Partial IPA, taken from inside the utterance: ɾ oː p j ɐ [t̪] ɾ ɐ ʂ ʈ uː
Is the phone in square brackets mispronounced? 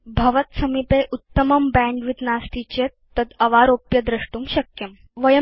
yes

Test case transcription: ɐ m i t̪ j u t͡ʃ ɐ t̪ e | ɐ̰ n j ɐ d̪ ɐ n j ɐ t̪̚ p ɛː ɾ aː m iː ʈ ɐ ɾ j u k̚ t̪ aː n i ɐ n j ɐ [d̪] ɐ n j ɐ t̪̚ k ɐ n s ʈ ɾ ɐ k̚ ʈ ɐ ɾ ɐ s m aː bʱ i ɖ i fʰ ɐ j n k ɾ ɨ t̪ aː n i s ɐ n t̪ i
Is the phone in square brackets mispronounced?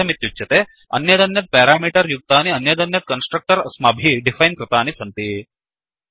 no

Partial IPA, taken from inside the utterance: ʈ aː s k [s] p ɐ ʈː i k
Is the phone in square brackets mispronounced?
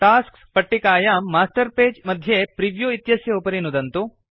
no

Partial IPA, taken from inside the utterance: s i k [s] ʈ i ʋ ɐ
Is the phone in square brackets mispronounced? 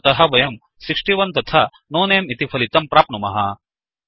yes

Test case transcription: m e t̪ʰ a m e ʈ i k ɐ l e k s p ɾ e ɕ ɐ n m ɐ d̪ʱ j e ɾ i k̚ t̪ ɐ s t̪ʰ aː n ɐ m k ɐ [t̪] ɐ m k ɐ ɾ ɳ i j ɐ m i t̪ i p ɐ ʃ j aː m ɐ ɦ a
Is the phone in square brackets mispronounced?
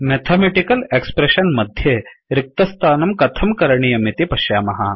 yes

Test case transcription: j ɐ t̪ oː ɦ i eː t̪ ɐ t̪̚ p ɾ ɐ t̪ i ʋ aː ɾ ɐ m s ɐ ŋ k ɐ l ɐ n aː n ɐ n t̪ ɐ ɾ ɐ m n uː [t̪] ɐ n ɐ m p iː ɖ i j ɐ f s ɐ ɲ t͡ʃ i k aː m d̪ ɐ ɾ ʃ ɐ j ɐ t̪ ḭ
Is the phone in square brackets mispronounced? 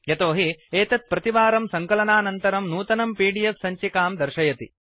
no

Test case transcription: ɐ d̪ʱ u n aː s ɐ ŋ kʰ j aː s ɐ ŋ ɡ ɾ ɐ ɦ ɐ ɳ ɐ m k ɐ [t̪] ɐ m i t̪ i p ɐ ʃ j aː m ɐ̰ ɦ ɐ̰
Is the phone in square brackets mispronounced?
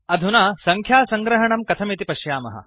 yes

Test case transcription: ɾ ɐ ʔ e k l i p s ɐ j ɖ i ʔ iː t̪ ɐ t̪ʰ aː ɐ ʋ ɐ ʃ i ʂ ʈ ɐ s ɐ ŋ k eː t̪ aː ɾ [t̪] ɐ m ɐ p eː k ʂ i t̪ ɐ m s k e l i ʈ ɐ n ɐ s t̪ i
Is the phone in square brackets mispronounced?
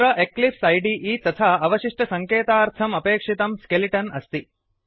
yes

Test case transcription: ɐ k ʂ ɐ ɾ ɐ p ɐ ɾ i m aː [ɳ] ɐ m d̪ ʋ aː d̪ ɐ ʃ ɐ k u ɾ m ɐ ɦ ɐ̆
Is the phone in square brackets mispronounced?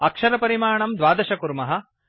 no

